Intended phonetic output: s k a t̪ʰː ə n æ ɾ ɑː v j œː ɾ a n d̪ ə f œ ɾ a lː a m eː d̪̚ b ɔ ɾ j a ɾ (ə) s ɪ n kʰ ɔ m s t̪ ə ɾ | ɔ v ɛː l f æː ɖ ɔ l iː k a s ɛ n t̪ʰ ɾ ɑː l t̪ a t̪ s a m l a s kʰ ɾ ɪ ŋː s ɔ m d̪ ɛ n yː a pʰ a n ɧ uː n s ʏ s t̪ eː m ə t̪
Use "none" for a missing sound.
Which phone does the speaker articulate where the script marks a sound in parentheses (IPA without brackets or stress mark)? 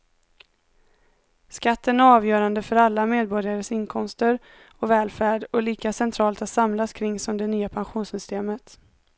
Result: ə